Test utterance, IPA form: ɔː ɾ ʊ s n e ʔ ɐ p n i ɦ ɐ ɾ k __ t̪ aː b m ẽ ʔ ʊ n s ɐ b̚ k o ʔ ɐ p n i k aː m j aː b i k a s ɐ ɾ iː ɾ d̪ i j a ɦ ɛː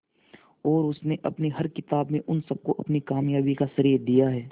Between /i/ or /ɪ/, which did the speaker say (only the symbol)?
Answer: ɪ